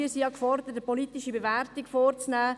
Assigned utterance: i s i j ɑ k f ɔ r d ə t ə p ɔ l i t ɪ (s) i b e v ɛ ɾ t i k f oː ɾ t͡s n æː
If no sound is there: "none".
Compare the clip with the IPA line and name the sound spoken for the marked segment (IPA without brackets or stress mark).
ʃ